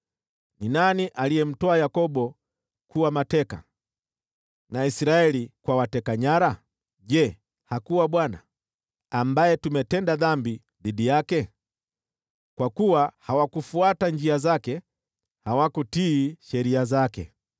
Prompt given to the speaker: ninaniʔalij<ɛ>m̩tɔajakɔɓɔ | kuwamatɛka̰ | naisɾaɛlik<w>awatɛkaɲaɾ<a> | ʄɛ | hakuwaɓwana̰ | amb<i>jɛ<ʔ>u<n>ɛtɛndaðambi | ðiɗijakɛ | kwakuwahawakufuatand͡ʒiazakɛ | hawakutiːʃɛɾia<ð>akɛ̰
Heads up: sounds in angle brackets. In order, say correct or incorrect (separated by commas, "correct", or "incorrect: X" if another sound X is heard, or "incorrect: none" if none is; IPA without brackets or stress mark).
correct, correct, correct, incorrect: a, incorrect: t, incorrect: m, incorrect: z